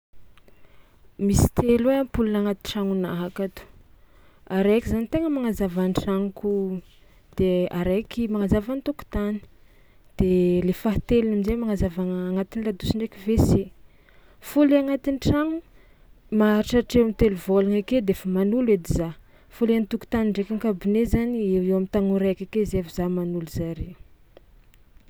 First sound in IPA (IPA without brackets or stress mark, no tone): m